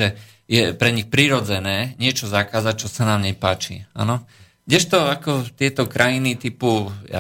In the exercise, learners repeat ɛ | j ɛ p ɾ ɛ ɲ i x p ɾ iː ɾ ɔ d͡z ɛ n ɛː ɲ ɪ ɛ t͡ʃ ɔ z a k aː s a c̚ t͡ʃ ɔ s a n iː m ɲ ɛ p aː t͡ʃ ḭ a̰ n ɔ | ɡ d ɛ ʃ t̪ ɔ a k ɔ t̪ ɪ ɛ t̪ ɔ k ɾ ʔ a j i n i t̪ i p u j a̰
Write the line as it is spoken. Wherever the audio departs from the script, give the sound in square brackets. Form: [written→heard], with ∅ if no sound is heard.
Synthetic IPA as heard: ɛ | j ɛ p ɾ ɛ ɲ i x p ɾ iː ɾ ɔ d͡z ɛ n ɛː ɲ ɪ ɛ t͡ʃ ɔ z a k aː [s→z] a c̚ t͡ʃ ɔ s a n [iː→aː] m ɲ ɛ p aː t͡ʃ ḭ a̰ n ɔ | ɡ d ɛ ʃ t̪ ɔ a k ɔ t̪ ɪ ɛ t̪ ɔ k ɾ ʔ a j i n i t̪ i p u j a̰